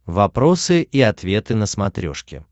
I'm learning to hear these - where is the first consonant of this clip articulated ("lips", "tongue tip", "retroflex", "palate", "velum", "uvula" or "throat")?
lips